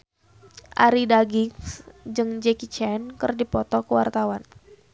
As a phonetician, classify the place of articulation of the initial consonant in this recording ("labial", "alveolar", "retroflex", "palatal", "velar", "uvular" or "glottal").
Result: glottal